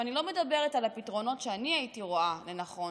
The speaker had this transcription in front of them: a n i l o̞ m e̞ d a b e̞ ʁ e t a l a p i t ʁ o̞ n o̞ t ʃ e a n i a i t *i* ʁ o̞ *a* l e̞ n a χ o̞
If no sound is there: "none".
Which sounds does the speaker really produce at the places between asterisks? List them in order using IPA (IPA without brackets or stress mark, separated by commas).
i, a